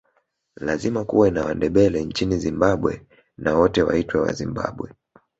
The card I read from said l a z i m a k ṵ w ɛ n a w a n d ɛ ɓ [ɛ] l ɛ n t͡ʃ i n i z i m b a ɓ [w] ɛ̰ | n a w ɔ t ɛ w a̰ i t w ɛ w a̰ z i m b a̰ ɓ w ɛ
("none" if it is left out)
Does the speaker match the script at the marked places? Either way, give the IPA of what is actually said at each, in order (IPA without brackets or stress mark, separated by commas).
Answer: ɛ, w